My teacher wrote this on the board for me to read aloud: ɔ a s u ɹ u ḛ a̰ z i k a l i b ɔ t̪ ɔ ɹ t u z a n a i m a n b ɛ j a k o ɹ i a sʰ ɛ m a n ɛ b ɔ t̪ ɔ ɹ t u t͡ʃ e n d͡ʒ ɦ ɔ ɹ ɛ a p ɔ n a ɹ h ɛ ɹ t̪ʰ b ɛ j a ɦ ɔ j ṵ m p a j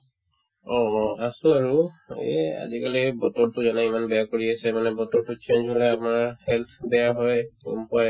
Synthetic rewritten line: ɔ a s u ɹ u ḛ a̰ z i k a l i b ɔ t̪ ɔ ɹ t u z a n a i m a n b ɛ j a k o ɹ i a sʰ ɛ m a n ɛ b ɔ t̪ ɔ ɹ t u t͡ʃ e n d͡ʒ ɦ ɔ l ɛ a p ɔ n a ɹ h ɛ l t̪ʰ b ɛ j a ɦ ɔ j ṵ m p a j